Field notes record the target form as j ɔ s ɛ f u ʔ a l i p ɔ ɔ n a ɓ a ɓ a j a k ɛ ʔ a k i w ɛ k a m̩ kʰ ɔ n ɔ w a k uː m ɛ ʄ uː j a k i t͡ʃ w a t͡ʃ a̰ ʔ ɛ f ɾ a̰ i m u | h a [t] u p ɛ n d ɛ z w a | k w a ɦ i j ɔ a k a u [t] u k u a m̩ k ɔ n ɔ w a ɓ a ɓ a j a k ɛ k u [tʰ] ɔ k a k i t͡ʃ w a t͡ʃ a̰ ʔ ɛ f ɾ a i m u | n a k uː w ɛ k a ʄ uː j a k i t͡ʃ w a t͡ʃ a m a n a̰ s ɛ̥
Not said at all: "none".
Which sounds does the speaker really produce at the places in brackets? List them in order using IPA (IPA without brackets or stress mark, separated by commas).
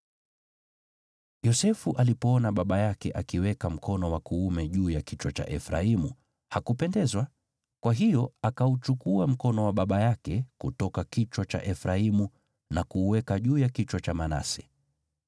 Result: k, t͡ʃ, t